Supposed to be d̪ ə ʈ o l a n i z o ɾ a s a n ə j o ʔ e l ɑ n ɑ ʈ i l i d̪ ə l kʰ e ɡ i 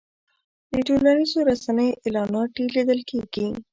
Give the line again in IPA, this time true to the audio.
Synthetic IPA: d̪ ə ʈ o l a n i z o ɾ a s a n ə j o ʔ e l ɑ n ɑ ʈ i l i d̪ ə l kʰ e ɡ i